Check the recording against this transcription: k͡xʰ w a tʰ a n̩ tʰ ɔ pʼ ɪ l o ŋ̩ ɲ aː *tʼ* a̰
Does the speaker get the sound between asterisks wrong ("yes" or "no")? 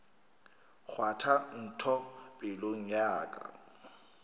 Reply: yes